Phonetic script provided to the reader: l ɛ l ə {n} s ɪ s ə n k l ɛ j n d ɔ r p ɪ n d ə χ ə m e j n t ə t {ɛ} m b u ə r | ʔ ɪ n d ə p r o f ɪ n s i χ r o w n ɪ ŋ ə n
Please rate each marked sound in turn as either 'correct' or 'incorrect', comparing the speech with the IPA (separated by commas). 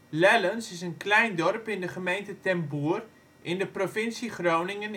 correct, correct